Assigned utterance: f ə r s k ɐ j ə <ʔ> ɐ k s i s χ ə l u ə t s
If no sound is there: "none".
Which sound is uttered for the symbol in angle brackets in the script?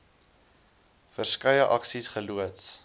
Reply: ʔ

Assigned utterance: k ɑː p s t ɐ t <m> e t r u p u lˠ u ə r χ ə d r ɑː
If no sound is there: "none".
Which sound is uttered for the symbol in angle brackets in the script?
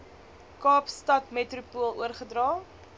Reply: m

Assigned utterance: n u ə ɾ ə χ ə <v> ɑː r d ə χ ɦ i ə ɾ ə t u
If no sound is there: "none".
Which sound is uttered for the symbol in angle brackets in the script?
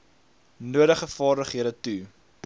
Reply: f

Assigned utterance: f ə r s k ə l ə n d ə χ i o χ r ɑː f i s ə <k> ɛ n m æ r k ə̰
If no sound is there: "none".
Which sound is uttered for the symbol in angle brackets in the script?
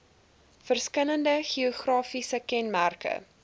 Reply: k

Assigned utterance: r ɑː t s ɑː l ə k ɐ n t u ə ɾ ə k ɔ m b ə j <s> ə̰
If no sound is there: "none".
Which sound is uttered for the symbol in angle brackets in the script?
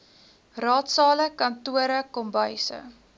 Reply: s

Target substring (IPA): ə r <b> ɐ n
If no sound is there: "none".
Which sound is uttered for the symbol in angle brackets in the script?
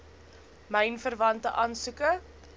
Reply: v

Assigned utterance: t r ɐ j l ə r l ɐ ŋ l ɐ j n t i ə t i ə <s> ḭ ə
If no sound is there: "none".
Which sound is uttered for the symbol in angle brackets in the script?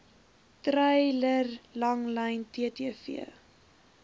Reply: f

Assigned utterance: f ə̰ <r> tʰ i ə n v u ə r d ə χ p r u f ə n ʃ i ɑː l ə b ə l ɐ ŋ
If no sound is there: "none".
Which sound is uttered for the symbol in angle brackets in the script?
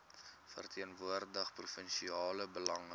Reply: r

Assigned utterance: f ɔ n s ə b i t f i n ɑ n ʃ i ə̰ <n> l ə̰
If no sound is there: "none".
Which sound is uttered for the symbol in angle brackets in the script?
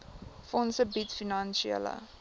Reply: none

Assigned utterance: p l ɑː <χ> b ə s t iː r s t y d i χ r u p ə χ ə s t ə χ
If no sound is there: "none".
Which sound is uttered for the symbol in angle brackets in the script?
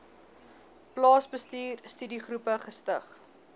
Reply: s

